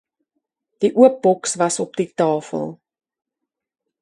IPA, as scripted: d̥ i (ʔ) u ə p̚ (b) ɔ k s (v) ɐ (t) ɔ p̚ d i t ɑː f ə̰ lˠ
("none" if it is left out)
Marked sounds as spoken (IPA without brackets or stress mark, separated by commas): ʔ, b, v, s